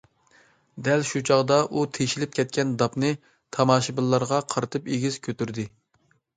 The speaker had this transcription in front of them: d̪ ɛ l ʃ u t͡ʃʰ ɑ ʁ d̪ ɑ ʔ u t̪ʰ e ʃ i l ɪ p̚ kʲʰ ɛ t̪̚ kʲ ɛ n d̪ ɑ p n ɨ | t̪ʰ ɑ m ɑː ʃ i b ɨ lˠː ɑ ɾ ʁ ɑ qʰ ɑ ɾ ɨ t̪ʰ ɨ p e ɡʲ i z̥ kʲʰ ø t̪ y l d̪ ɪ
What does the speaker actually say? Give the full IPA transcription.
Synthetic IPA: d̪ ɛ l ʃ u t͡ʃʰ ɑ ʁ d̪ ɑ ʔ u t̪ʰ e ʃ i l ɪ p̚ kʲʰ ɛ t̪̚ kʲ ɛ n d̪ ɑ p n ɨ | t̪ʰ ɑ m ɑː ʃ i b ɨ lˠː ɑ ɾ ʁ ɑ qʰ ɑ ɾ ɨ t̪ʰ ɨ p e ɡʲ i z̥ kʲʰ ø t̪ y ɾ d̪ ɪ